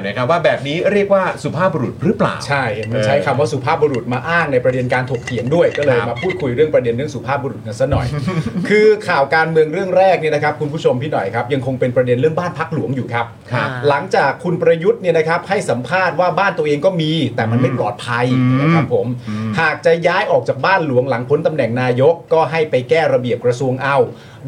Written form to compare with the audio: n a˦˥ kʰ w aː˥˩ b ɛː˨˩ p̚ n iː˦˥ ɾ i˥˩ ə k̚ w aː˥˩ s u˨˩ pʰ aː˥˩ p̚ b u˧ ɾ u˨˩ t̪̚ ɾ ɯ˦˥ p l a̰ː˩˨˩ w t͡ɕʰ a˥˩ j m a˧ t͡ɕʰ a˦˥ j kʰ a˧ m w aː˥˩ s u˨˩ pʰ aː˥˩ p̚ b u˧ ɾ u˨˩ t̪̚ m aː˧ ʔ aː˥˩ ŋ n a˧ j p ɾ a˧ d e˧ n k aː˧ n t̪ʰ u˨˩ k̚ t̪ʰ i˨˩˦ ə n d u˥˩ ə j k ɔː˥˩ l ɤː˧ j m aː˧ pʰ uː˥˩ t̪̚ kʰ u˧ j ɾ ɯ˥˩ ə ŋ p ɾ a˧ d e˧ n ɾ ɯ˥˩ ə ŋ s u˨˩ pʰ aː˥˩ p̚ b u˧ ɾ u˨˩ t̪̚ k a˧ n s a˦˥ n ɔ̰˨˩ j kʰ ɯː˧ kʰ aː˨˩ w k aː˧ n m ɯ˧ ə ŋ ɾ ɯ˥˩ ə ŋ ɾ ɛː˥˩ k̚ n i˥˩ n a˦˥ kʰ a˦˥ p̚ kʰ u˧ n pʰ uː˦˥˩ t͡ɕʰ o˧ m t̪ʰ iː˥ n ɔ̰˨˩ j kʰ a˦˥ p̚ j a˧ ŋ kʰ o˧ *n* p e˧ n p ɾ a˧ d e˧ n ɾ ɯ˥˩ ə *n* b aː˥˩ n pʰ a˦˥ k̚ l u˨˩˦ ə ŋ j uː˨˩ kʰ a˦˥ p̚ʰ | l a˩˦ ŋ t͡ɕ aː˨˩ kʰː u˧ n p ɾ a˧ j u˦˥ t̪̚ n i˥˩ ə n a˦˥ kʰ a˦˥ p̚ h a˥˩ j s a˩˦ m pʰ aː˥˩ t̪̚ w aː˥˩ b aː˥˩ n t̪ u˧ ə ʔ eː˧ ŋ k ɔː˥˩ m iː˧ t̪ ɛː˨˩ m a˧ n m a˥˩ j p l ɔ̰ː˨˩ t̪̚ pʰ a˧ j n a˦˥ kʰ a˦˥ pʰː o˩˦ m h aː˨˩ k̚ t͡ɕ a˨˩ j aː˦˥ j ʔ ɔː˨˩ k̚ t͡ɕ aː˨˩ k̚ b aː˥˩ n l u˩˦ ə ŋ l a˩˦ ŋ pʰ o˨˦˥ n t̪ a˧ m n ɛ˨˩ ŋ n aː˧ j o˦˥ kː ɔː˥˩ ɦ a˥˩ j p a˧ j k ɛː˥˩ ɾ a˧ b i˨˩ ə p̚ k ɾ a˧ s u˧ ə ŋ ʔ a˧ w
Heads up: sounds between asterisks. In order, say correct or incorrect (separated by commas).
incorrect, incorrect